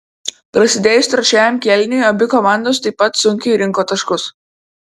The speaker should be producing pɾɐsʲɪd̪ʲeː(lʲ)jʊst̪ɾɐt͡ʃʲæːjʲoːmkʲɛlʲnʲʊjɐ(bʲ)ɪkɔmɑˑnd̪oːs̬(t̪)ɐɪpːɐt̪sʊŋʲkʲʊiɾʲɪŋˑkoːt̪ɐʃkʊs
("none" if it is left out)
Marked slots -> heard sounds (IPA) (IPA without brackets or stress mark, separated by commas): none, bʲ, t̪